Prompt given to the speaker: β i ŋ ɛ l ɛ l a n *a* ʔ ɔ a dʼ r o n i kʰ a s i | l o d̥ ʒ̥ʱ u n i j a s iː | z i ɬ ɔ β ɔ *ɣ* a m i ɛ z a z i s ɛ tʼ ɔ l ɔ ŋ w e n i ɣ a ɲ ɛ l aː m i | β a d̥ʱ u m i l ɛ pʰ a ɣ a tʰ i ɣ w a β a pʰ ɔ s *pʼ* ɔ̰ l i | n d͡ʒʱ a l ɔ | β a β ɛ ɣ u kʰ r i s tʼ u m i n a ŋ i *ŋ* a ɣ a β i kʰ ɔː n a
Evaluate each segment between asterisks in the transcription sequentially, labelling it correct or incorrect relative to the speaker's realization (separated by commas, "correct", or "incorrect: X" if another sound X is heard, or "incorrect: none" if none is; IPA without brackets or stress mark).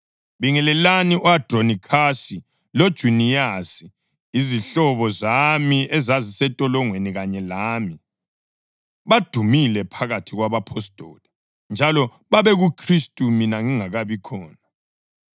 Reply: incorrect: i, incorrect: z, incorrect: tʼ, correct